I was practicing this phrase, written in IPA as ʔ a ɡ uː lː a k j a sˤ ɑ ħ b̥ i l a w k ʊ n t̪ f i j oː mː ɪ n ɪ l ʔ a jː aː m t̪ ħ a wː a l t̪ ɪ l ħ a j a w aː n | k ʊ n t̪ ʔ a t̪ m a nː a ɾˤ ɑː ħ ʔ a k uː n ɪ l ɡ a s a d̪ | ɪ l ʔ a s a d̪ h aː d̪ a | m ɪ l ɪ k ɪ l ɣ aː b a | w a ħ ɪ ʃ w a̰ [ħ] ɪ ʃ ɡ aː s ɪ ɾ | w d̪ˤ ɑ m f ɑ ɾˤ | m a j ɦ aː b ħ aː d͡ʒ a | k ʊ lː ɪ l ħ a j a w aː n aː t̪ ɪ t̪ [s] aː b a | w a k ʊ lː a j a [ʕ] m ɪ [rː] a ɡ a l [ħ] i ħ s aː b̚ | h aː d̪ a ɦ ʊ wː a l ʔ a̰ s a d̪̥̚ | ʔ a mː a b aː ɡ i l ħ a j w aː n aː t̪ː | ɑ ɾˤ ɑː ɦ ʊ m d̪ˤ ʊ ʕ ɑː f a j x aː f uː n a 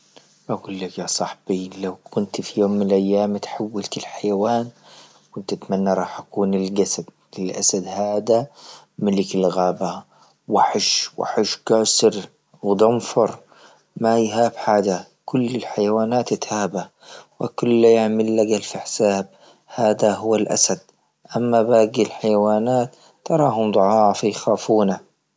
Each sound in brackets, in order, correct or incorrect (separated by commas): correct, incorrect, correct, incorrect, incorrect